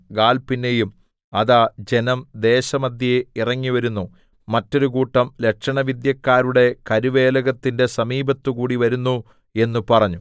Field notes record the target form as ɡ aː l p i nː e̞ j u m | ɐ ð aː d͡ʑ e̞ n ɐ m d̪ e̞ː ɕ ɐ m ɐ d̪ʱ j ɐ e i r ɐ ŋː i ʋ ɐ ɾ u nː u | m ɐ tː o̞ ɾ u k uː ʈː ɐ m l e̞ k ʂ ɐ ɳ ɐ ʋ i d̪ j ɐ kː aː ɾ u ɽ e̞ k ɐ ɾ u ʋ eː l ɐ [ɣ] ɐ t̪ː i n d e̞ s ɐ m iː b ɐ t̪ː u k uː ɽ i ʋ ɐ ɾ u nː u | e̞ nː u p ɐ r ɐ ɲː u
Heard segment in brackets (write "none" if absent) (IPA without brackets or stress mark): ɣ